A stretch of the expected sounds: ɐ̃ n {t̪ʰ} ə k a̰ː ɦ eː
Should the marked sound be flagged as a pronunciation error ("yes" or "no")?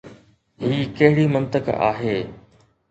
yes